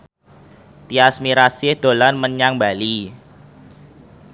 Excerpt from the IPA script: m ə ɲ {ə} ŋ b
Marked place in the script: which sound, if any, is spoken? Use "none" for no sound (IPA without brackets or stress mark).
a